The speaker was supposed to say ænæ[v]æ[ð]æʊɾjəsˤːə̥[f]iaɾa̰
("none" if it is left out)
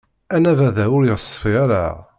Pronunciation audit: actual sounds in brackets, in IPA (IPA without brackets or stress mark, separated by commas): v, ð, f